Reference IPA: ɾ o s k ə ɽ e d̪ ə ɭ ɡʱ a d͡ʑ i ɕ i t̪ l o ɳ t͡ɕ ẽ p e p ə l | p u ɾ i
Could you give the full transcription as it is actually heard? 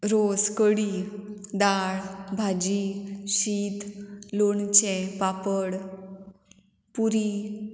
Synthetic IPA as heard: ɾ o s k ə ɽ i d̪ a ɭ bʱ a d͡ʑ i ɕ i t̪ l o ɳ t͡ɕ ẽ p a p ə ɽ | p u ɾ i